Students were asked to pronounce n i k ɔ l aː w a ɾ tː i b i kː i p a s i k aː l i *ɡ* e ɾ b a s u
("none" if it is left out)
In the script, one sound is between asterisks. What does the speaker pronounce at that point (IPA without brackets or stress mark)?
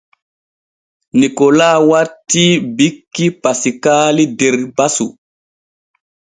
d